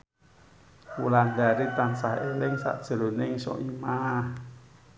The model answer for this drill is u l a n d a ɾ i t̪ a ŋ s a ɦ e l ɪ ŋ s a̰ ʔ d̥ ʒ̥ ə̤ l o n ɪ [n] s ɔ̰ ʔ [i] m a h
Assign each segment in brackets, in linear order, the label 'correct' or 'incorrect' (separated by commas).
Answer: incorrect, correct